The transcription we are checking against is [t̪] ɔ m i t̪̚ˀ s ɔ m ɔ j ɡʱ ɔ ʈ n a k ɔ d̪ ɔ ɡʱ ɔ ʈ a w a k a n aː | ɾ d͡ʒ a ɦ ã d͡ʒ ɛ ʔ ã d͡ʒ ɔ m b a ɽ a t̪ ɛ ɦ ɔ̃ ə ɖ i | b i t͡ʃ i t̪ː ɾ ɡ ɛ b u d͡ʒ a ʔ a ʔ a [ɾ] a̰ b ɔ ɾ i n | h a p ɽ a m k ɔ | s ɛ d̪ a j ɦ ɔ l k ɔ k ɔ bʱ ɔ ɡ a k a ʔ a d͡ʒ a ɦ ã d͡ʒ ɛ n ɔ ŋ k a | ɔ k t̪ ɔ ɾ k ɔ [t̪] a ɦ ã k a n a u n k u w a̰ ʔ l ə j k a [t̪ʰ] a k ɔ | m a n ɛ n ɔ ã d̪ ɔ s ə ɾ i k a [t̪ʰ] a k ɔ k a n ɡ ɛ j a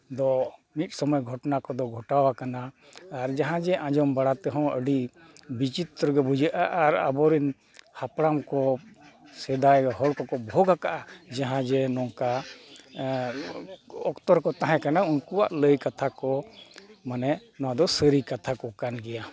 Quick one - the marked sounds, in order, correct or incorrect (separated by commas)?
incorrect, correct, correct, correct, correct